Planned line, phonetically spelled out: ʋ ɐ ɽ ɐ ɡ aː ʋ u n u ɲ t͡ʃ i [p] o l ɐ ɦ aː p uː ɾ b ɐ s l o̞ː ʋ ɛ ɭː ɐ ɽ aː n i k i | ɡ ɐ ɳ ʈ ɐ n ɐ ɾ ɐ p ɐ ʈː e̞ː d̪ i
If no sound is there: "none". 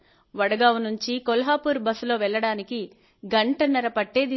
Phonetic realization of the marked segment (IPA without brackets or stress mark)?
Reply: k